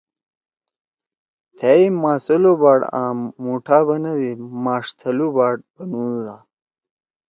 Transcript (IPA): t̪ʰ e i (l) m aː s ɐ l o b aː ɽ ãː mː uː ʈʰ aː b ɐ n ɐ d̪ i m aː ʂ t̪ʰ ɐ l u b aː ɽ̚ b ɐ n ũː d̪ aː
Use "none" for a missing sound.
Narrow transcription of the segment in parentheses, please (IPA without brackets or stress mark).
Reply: none